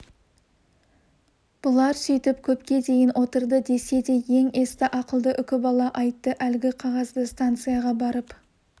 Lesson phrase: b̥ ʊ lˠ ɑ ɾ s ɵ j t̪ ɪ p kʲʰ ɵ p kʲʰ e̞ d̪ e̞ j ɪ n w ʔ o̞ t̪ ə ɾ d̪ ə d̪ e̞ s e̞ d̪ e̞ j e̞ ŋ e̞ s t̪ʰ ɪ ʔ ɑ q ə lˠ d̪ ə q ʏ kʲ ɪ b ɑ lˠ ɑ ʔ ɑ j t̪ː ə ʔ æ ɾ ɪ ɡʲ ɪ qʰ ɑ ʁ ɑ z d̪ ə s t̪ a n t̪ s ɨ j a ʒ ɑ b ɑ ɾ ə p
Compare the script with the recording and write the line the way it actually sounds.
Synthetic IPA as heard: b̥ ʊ lˠ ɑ ɾ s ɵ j t̪ ɪ p kʲʰ ɵ p kʲ e̞ d̪ e̞ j ɪ n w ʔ o̞ t̪ ə ɾ d̪ ə d̪ e̞ s e̞ d̪ e̞ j e̞ ŋ e̞ s t̪ ɪ ʔ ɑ q ə lˠ d̪ ə ʔ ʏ kʲ ɪ b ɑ lˠ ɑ ʔ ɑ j t̪ː ə ʔ æ l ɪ ɡʲ ɪ qʰ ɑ ʁ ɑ z d̪ ə s t̪ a n t̪ s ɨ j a ʁ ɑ b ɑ ɾ ə p